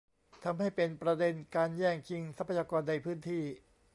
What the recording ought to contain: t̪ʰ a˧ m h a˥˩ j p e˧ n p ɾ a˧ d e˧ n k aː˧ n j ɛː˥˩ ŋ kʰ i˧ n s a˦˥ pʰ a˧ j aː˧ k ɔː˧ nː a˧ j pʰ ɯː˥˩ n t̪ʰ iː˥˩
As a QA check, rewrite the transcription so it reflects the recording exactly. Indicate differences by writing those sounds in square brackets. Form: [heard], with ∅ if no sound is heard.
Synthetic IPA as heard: t̪ʰ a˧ m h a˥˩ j p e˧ n p ɾ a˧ d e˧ n k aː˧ n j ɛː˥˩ ŋ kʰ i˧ [ŋ] s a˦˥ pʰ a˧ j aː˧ k ɔː˧ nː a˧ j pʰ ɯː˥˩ n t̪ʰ iː˥˩